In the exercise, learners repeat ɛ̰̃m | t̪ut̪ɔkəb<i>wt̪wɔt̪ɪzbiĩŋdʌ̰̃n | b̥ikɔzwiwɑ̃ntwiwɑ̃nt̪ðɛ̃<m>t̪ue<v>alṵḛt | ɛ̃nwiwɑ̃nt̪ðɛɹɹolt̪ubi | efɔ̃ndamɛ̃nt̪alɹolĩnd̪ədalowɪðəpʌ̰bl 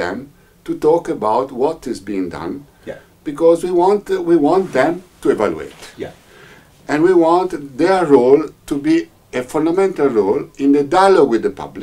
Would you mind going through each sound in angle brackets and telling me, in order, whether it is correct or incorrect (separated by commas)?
incorrect, correct, correct